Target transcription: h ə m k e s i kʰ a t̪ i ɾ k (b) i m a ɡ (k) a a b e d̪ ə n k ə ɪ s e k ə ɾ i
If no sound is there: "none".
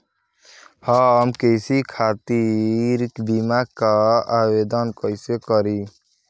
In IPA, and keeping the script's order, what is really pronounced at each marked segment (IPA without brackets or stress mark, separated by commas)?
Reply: b, k